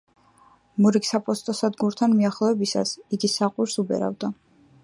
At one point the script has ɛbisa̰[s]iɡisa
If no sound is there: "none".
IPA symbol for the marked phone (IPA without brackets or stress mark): s